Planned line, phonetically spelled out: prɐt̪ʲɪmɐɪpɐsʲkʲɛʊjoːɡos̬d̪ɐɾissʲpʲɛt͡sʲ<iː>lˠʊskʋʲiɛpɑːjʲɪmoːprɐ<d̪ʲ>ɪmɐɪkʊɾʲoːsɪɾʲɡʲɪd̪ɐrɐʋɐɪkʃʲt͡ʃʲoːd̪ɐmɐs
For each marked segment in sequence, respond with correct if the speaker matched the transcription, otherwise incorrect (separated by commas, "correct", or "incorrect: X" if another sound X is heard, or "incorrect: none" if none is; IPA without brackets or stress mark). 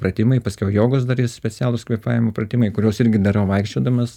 incorrect: æː, incorrect: t̪ʲ